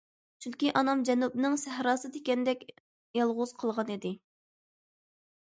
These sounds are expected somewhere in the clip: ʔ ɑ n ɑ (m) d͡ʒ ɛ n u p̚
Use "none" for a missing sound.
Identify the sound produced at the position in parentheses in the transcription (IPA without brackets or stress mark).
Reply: m